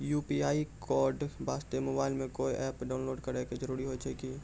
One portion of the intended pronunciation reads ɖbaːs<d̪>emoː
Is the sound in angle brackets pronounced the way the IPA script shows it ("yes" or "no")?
no